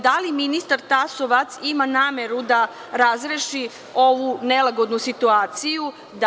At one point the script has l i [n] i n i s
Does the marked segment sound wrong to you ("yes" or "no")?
yes